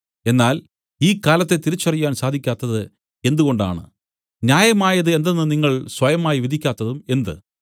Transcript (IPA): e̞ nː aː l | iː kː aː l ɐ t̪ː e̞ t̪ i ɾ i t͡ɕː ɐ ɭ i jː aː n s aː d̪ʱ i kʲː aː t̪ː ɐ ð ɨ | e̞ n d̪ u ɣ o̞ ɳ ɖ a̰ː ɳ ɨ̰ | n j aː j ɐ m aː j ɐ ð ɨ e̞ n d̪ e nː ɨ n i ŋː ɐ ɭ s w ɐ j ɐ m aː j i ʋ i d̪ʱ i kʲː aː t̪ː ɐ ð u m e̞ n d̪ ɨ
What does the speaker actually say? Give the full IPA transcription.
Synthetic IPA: e̞ nː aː l | iː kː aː l ɐ t̪ː e̞ t̪ i ɾ i t͡ɕː ɐ r i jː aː n s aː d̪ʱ i kʲː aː t̪ː ɐ ð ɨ | e̞ n d̪ u ɣ o̞ ɳ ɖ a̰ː ɳ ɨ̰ | n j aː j ɐ m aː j ɐ ð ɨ e̞ n d̪ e nː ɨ n i ŋː ɐ ɭ s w ɐ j ɐ m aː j i ʋ i d̪ʱ i kʲː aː t̪ː ɐ ð u m e̞ n d̪ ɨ

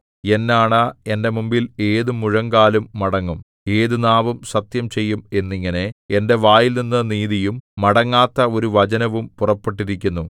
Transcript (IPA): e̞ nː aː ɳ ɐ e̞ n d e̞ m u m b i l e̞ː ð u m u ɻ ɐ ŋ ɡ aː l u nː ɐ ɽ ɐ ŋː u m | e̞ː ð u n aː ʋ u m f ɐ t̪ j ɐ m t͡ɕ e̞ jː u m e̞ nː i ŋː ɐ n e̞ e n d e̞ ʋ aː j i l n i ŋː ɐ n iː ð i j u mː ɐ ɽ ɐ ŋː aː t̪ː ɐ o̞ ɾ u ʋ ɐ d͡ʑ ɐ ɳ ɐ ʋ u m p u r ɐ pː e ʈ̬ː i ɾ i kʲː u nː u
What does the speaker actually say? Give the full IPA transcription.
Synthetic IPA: e̞ nː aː ɳ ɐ e̞ n d e̞ m u m b i l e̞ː ð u m u ɻ ɐ ŋ ɡ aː l u mː ɐ ɽ ɐ ŋː u m | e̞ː ð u n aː ʋ u m s ɐ t̪ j ɐ m t͡ɕ e̞ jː u m e̞ nː i ŋː ɐ n e̞ e n d e̞ ʋ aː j i l n i nː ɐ n iː ð i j u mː ɐ ɽ ɐ ŋː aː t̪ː ɐ o̞ ɾ u ʋ ɐ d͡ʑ ɐ n ɐ ʋ u m p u r ɐ pː e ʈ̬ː i ɾ i kʲː u nː u

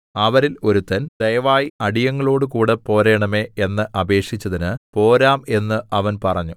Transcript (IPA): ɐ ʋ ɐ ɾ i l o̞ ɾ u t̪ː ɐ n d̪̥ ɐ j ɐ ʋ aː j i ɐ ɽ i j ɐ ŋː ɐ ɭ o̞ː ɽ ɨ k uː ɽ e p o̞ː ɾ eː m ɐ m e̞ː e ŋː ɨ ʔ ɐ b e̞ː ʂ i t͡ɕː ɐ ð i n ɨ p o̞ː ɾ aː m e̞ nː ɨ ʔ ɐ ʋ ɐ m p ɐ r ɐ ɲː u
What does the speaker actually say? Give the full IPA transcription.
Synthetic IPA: ɐ ʋ ɐ ɾ i l o̞ ɾ u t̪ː ɐ n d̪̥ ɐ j ɐ ʋ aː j i ɐ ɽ i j ɐ ŋː ɐ ɭ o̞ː ɽ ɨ k uː ɽ e p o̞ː ɾ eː ɳ ɐ m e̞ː e nː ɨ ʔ ɐ b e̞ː ʂ i t͡ɕː ɐ ð i n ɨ p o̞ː ɾ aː m e̞ nː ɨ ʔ ɐ ʋ ɐ n p ɐ r ɐ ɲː u

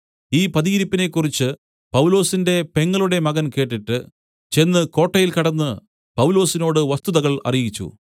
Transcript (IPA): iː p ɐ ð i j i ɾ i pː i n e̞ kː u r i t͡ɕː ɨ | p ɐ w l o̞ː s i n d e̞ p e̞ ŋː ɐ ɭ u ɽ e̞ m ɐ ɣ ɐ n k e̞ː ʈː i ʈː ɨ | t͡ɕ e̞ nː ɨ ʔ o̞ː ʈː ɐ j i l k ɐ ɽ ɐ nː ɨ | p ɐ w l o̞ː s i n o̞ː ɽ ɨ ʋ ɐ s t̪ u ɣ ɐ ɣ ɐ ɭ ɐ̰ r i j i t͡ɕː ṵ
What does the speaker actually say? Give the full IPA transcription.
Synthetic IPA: iː p ɐ ð i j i ɾ i pː i n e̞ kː u r i t͡ɕː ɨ | p ɐ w l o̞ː s i n d e̞ p e̞ ŋː ɐ ɭ u ɽ e̞ m ɐ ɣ ɐ n k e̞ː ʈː i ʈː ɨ | t͡ɕ e̞ nː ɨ k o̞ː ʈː ɐ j i l k ɐ ɽ ɐ nː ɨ | p ɐ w l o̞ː s i n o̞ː ɽ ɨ ʋ ɐ s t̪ u ð ɐ ɣ ɐ ɭ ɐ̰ r i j i t͡ɕː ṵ

